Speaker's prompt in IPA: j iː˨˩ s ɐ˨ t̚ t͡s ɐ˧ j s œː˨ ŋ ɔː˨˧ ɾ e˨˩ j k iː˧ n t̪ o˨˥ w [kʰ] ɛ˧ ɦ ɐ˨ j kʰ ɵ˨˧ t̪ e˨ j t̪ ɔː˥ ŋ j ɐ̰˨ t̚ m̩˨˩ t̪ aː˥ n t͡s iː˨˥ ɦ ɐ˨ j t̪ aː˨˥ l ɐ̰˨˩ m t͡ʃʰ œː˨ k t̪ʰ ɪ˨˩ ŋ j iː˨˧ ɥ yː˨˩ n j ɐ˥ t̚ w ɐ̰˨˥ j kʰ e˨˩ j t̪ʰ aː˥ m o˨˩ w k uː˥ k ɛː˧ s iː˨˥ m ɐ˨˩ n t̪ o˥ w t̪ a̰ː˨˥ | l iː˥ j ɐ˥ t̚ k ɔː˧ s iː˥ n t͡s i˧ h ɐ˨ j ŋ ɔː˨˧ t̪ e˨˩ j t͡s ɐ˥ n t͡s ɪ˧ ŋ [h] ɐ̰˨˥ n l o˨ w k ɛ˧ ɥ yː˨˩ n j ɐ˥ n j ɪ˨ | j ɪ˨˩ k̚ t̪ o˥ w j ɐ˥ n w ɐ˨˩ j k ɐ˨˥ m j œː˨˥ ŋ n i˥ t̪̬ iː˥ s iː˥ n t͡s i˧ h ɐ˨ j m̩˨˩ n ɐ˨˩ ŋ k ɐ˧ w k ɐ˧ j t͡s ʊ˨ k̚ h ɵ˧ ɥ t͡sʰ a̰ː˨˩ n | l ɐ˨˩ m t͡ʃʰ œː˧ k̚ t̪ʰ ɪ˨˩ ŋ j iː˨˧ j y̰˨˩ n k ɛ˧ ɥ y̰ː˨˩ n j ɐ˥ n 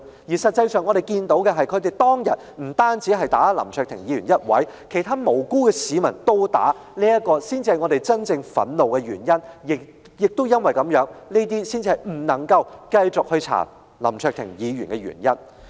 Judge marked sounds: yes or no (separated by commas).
no, no